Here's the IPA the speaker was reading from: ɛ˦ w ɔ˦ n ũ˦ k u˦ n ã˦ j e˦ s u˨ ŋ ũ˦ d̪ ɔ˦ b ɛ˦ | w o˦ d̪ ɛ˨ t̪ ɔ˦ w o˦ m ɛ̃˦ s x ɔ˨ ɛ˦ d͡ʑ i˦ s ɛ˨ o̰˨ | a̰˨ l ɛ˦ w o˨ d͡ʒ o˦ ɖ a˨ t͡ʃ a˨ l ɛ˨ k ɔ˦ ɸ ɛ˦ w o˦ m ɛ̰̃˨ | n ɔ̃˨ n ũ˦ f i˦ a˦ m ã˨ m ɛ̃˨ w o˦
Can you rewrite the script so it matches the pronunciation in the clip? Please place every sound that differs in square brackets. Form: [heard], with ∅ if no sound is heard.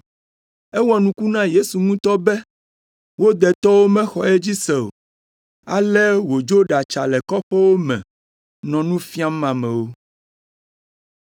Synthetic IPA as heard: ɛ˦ w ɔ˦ n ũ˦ k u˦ n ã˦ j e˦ s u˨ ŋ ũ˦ [t̪] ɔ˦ b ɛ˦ | w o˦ d̪ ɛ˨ t̪ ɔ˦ w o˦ m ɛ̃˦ [∅] x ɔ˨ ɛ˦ d͡ʑ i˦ s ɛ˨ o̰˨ | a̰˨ l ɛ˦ w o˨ d͡ʒ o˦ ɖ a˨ t͡ʃ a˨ l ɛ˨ k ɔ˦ ɸ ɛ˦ w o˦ m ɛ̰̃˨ | n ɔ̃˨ n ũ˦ f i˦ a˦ m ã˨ m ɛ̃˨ w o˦

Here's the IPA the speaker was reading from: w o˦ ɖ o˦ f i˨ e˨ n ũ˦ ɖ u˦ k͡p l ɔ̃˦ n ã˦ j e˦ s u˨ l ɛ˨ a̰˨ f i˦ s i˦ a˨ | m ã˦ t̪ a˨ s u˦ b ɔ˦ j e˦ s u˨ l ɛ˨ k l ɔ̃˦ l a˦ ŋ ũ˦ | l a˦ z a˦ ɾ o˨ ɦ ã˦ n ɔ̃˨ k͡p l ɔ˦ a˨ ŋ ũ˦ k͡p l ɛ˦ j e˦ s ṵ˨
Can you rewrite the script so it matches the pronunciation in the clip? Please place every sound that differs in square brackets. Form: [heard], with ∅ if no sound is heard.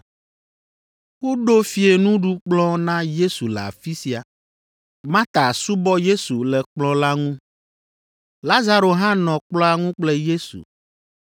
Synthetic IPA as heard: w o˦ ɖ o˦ f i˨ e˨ n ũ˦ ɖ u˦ k͡p l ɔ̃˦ n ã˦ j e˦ s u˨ l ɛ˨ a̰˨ f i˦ s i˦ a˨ | m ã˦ t̪ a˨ s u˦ b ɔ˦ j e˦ s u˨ l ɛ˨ [k͡p] l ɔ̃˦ l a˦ ŋ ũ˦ | l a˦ z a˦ ɾ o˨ ɦ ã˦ n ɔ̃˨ k͡p l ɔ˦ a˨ ŋ ũ˦ k͡p l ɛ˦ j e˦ s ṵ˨

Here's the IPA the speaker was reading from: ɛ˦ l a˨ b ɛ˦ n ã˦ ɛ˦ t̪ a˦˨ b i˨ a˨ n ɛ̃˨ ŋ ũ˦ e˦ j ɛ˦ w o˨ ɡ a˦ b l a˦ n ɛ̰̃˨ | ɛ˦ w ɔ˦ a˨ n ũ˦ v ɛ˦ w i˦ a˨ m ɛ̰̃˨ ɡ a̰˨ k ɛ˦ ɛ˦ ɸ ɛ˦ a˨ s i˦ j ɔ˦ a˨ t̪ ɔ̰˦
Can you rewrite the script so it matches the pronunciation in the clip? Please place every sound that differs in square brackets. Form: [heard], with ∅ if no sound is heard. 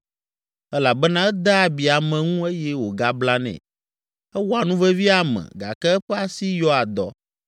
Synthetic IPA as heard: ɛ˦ l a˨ b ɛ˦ n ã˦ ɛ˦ [d̪] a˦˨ b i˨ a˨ [m] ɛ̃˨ ŋ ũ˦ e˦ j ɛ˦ w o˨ ɡ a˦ b l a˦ n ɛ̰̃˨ | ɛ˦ w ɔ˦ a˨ n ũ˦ v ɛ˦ [v] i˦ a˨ m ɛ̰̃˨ ɡ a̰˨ k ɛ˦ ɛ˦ ɸ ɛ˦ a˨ s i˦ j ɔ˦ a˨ [d̪] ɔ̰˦

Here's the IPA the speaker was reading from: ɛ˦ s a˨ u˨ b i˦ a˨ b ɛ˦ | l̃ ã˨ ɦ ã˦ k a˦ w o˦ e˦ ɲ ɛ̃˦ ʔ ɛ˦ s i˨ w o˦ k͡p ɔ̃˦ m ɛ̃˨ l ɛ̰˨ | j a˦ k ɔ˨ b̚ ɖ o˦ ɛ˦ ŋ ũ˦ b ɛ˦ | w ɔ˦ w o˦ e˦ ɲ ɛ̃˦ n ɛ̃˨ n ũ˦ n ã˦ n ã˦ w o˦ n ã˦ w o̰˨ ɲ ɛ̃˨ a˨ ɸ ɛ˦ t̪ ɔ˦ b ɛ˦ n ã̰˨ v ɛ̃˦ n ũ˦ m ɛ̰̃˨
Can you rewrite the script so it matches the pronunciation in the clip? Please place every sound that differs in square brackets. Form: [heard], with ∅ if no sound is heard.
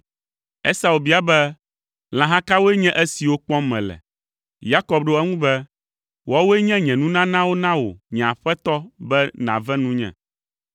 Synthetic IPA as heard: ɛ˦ s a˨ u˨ b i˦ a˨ b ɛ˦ | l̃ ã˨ ɦ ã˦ k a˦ w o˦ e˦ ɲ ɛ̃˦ ʔ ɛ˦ s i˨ w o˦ k͡p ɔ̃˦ m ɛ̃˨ l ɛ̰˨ | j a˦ k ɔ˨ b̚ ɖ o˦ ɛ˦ ŋ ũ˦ b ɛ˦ | w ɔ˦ w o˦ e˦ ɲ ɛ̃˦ [ɲ] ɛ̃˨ n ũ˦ n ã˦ n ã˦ w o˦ n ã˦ w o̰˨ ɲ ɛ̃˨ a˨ ɸ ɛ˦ t̪ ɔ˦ b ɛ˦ n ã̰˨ v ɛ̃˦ n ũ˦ [ɲ] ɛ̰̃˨

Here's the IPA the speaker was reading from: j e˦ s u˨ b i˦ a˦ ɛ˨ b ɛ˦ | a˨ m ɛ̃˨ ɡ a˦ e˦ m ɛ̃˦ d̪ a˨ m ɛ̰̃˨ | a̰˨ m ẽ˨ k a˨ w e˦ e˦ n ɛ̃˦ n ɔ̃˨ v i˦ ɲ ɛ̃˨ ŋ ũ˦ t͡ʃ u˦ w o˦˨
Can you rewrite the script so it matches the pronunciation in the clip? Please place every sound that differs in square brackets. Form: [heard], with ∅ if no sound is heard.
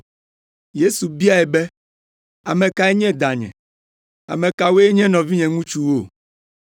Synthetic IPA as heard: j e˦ s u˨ b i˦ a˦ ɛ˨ b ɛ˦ | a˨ m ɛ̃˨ [k] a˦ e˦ [ɲ] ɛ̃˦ d̪ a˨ [ɲ] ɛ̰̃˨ | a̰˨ m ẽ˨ k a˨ w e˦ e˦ [ɲ] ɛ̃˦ n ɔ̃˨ v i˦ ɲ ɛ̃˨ ŋ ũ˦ t͡ʃ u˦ w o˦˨

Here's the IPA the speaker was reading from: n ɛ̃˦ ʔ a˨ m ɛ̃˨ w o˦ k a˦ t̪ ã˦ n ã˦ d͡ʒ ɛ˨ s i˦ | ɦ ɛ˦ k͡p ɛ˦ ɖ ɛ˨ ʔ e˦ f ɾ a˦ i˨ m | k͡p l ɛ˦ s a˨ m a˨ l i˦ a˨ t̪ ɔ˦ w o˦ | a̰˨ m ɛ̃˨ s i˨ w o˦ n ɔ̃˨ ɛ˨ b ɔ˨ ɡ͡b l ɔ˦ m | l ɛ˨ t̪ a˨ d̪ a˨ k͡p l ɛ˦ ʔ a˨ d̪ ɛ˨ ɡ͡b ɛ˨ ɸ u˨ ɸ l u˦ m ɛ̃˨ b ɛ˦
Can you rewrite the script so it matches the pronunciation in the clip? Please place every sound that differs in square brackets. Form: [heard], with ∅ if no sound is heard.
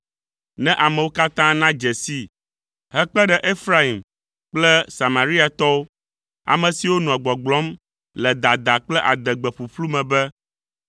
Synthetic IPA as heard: n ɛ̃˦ ʔ a˨ m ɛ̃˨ w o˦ k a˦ t̪ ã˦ n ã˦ d͡ʒ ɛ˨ s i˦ | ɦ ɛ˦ k͡p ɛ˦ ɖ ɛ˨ ʔ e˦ f ɾ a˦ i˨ m | k͡p l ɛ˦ s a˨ m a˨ [ɾ] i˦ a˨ t̪ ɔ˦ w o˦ | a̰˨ m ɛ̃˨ s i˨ w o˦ n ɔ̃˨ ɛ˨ [ɡ͡b] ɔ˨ ɡ͡b l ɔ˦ m | l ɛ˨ [d̪] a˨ d̪ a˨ k͡p l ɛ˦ ʔ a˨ d̪ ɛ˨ ɡ͡b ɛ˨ ɸ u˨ ɸ l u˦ m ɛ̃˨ b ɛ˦

